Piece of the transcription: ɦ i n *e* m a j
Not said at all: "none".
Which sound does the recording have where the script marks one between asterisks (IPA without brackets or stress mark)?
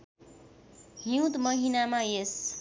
a